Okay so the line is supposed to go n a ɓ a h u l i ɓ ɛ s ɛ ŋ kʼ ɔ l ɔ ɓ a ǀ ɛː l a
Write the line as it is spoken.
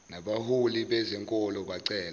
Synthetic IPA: n a ɓ a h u l i ɓ ɛ z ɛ ŋ kʼ ɔ l ɔ ɓ a ǀ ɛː l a